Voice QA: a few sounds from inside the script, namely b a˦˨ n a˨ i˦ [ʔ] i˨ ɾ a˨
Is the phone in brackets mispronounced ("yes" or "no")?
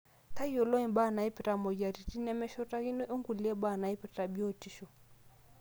yes